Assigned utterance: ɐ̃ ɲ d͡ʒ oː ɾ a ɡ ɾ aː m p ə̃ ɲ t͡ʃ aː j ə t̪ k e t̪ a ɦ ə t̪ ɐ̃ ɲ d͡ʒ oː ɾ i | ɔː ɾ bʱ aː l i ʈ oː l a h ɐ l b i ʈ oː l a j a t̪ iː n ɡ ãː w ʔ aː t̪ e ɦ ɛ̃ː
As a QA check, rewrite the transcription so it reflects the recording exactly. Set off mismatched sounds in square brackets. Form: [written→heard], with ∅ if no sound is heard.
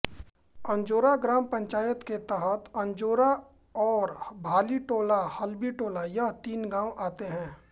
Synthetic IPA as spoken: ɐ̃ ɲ d͡ʒ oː ɾ a ɡ ɾ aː m p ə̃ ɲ t͡ʃ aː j ə t̪ k e t̪ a ɦ ə t̪ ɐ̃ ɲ d͡ʒ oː ɾ [i→a] | ɔː ɾ bʱ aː l i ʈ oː l a h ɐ l b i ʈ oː l a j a t̪ iː n ɡ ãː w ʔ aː t̪ e ɦ ɛ̃ː